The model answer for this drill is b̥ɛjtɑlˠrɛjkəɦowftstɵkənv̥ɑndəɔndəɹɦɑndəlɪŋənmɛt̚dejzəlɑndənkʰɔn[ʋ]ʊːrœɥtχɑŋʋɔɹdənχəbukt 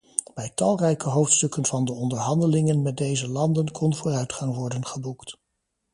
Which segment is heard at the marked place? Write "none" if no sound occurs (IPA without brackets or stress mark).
v